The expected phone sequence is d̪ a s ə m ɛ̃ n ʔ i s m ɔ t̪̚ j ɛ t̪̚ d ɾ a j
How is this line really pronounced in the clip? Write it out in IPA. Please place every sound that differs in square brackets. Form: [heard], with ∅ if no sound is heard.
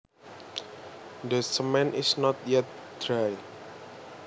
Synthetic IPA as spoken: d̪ [ə] s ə m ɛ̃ n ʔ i s [n] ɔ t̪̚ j ɛ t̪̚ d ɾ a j